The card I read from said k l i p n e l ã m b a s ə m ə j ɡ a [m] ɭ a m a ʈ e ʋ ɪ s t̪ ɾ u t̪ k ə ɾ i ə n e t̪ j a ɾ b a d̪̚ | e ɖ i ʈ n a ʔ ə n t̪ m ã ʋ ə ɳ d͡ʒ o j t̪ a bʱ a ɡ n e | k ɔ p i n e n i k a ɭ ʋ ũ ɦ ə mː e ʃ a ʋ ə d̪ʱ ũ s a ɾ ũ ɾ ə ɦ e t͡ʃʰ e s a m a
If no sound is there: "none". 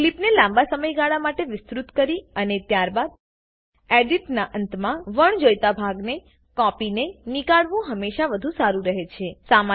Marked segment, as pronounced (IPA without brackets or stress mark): none